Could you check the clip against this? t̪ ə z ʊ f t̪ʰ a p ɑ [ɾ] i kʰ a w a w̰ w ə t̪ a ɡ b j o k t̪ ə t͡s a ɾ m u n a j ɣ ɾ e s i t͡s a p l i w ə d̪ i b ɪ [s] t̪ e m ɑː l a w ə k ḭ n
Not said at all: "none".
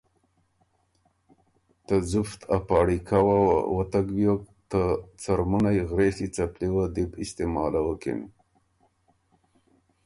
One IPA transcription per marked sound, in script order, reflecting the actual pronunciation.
ɽ, s

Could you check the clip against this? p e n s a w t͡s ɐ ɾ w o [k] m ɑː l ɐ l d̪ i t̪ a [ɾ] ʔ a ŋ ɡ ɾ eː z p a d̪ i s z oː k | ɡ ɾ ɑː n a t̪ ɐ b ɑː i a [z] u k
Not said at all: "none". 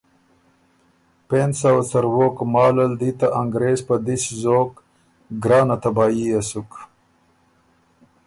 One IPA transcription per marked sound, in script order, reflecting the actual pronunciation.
k, none, s

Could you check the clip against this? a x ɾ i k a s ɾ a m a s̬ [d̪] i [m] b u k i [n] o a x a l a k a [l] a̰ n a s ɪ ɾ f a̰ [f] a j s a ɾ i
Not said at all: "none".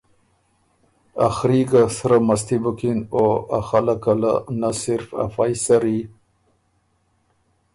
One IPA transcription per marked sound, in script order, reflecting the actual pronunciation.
t̪, none, n, l, f

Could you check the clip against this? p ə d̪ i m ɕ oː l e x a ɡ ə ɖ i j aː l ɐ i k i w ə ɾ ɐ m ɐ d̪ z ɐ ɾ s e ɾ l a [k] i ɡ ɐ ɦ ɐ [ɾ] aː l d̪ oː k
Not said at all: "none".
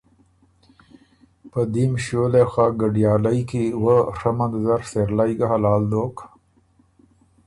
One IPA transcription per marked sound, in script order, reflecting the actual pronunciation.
none, l

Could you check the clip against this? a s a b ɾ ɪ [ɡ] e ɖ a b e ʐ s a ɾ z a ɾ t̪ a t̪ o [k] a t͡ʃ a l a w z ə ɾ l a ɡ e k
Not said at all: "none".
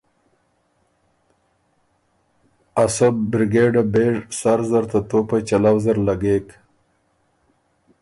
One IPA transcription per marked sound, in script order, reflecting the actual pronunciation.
ɡ, p

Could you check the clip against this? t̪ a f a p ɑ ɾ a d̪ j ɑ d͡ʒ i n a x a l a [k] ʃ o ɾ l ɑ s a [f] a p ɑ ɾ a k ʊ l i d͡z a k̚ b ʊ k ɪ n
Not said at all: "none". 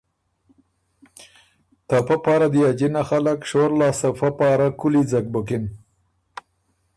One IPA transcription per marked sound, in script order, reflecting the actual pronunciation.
k, f

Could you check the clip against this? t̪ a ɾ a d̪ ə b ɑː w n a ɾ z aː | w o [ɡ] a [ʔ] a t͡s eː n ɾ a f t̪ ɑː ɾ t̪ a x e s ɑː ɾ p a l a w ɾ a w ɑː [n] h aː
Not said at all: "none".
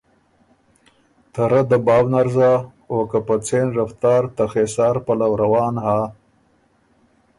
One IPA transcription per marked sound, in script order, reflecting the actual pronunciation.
k, p, n

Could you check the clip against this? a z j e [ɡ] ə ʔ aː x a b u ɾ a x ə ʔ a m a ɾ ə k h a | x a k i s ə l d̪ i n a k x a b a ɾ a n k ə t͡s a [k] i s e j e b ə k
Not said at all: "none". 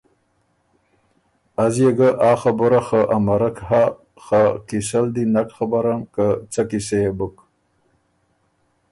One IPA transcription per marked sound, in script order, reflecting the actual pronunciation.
ɡ, k

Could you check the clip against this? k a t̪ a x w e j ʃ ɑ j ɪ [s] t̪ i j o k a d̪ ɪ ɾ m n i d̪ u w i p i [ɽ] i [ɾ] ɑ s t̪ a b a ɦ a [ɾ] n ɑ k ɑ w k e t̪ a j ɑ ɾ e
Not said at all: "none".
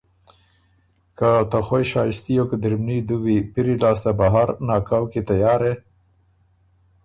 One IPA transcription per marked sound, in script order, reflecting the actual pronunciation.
s, ɾ, l, ɾ

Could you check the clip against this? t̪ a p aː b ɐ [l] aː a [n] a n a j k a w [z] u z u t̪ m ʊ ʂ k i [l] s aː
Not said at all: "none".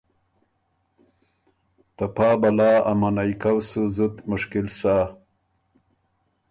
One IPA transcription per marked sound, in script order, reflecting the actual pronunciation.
l, m, s, l

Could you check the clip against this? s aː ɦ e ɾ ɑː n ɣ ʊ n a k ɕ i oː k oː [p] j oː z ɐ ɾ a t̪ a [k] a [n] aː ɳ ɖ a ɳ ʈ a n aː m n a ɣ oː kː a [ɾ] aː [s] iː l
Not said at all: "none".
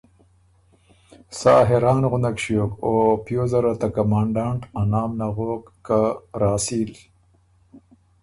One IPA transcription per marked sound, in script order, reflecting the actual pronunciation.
p, k, m, ɾ, s

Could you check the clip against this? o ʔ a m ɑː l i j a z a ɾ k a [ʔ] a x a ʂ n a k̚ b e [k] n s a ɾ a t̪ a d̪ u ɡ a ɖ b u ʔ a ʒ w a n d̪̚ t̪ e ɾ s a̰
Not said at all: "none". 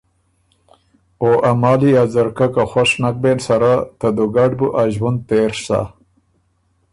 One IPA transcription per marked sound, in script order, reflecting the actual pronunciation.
k, none

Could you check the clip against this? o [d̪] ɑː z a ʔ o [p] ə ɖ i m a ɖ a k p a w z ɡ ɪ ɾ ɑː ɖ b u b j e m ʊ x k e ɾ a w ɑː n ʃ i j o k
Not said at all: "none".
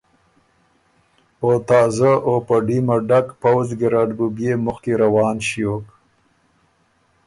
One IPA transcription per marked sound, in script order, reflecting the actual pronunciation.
t̪, p

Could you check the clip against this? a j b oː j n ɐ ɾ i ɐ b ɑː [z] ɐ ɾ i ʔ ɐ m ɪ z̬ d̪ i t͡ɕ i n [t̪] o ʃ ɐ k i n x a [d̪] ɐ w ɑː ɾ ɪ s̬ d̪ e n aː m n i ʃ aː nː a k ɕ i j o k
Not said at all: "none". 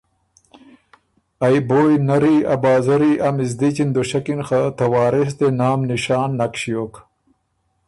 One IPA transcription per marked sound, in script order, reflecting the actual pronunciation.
z, d̪, t̪

